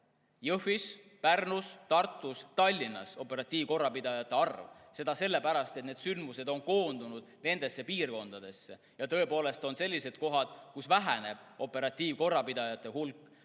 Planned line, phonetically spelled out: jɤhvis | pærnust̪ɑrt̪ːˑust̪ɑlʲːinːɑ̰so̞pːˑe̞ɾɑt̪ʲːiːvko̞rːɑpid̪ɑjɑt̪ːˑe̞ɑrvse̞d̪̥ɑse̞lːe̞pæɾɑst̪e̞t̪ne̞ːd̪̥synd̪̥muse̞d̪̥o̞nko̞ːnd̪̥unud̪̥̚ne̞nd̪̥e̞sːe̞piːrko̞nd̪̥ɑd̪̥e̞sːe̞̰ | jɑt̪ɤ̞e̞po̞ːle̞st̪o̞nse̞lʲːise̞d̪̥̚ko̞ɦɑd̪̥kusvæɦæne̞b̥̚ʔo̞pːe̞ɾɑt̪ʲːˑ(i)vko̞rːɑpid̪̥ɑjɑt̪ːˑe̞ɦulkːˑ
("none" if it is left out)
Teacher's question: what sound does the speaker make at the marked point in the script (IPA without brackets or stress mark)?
iː